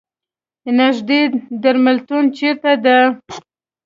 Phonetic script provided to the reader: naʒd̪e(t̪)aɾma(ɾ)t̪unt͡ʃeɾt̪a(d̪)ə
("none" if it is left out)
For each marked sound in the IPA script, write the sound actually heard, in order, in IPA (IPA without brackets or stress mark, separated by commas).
d̪, l, d̪